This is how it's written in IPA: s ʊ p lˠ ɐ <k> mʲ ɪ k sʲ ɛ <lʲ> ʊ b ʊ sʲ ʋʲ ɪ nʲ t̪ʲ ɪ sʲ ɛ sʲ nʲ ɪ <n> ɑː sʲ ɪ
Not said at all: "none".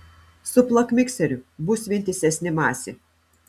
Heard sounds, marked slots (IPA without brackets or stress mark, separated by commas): k, ɾʲ, m